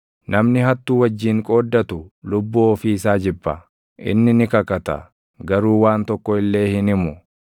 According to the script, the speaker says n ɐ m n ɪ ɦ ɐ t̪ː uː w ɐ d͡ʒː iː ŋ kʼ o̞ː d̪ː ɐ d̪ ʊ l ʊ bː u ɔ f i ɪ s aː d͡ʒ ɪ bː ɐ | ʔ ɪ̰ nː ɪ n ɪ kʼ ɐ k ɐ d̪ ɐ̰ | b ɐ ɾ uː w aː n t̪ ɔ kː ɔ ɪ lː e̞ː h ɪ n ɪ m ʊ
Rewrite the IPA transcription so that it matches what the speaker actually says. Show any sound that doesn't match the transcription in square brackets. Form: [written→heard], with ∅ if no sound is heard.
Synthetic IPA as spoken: n ɐ m n ɪ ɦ ɐ t̪ː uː w ɐ d͡ʒː iː ŋ kʼ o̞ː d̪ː ɐ [d̪→t̪] ʊ l ʊ bː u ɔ f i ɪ s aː d͡ʒ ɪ bː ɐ | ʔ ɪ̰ nː ɪ n ɪ [kʼ→k] ɐ k ɐ [d̪→t̪] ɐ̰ | [b→ɡ] ɐ ɾ uː w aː n t̪ ɔ kː ɔ ɪ lː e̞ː h ɪ n ɪ m ʊ

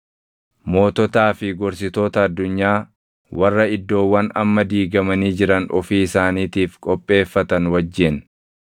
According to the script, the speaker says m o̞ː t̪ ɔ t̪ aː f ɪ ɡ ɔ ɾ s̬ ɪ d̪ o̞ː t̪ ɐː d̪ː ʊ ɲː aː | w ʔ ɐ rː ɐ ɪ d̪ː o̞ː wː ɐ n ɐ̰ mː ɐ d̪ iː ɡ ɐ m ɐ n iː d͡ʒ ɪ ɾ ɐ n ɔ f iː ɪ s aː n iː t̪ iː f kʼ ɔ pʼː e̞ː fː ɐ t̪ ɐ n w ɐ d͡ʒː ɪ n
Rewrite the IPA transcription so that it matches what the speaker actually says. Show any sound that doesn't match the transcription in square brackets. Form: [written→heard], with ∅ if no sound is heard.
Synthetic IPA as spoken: m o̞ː t̪ ɔ t̪ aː f ɪ ɡ ɔ ɾ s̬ ɪ [d̪→t̪] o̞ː t̪ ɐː d̪ː ʊ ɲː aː | w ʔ ɐ rː ɐ ɪ d̪ː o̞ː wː ɐ n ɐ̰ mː ɐ d̪ iː ɡ ɐ m ɐ n iː d͡ʒ ɪ ɾ ɐ n ɔ f iː ɪ s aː n iː t̪ iː f kʼ ɔ pʼː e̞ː fː ɐ t̪ ɐ n w ɐ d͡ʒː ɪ n

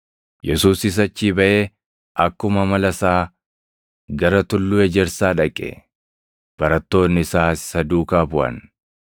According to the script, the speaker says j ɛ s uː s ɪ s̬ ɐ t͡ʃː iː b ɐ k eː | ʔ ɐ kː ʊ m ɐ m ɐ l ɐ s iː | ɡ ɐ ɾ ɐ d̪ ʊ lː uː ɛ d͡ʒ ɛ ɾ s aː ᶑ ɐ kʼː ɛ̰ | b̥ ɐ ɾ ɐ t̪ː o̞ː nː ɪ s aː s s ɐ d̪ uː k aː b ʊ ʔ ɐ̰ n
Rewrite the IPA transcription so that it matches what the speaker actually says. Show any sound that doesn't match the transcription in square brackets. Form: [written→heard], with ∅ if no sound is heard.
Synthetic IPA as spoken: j ɛ s uː s ɪ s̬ ɐ t͡ʃː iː b ɐ [k→ʔ] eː | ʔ ɐ kː ʊ m ɐ m ɐ l ɐ s [iː→aː] | ɡ ɐ ɾ ɐ [d̪→t̪] ʊ lː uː ɛ d͡ʒ ɛ ɾ s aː ᶑ ɐ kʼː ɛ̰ | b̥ ɐ ɾ ɐ t̪ː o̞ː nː ɪ s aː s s ɐ d̪ uː k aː b ʊ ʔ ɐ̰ n

